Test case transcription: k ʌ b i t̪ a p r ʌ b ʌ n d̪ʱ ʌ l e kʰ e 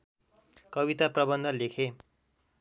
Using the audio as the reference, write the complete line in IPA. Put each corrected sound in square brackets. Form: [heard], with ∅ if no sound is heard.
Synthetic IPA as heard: k ʌ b i t̪ a p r ʌ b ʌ n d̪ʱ ʌ l e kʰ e